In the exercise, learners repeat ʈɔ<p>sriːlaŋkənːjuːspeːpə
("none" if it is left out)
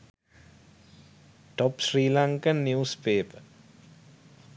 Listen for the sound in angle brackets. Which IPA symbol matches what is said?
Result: p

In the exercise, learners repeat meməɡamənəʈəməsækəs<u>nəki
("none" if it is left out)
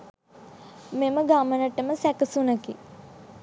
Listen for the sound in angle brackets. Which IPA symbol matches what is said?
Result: u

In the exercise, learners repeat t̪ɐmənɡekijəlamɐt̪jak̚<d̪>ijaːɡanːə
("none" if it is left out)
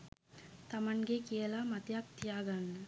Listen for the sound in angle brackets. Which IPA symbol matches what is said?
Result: t̪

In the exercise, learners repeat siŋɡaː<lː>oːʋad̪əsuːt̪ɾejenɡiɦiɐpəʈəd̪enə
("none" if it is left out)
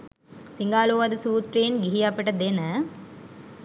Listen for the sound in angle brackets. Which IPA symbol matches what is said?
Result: l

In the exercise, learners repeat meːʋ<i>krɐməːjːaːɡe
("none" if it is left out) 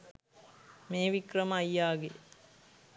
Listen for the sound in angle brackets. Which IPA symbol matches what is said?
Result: i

